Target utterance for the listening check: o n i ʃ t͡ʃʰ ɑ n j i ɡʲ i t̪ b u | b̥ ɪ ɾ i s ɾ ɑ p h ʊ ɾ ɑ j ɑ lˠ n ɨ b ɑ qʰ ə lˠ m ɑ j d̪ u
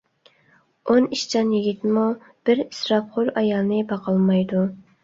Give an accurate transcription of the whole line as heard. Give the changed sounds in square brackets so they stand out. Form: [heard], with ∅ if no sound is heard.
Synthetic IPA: o n i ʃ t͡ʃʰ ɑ n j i ɡʲ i t̪ [m] u | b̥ ɪ ɾ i s ɾ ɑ p [χ] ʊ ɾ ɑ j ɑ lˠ n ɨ b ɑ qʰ [ɑ] lˠ m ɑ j d̪ u